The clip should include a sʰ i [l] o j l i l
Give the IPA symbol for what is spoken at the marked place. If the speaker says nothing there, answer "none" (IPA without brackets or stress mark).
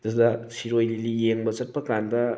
ɾ